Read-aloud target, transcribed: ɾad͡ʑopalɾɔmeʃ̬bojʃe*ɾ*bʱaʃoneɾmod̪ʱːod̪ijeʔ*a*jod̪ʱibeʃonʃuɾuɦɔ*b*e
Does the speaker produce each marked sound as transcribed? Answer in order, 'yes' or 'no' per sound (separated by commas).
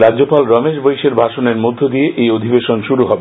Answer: yes, no, yes